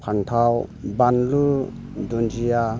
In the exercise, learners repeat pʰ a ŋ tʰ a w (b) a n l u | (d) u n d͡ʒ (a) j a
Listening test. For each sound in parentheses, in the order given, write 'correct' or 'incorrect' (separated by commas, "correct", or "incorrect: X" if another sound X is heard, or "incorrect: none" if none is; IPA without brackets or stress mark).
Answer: correct, correct, incorrect: i